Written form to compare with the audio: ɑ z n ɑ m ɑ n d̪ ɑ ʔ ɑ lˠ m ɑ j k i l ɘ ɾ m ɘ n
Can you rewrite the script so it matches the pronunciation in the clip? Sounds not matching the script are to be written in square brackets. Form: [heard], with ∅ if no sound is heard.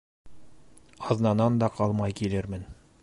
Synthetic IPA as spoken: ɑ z n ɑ [n] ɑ n d̪ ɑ [q] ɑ lˠ m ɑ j k i l ɘ ɾ m ɘ n